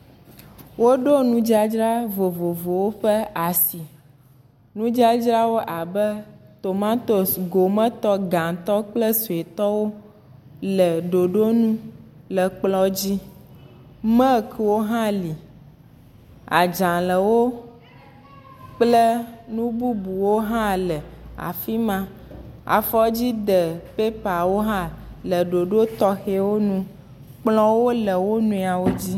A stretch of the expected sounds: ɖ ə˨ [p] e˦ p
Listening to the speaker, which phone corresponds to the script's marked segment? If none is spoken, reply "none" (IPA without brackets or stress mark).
p